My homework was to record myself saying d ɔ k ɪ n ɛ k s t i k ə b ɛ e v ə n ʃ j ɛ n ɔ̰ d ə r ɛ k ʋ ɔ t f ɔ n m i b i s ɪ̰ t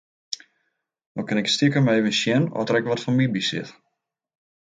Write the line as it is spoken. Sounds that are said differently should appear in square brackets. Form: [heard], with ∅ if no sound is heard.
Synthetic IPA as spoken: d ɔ k ɪ n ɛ k s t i k ə [m] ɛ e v ə n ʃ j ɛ n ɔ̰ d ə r ɛ k ʋ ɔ t f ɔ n m i b i s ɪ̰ t